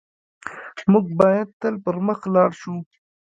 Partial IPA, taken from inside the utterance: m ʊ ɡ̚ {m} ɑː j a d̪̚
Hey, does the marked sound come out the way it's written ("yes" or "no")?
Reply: no